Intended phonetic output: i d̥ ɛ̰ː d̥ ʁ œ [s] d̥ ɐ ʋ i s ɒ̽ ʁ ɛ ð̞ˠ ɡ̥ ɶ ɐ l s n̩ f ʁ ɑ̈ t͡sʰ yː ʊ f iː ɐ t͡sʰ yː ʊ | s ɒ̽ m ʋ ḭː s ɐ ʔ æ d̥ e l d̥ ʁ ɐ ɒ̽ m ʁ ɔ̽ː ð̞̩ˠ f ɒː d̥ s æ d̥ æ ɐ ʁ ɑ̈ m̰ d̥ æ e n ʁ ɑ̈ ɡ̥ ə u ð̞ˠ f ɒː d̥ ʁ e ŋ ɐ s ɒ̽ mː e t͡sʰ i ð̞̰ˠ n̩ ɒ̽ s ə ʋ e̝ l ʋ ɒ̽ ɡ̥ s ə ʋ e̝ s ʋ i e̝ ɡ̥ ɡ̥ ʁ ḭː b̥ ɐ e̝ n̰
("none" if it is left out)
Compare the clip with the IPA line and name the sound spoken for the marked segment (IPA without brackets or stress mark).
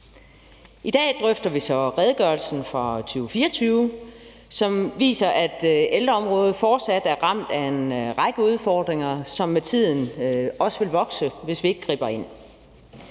f